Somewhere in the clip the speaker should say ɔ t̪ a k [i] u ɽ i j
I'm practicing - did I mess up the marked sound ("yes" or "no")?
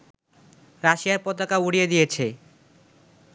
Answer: yes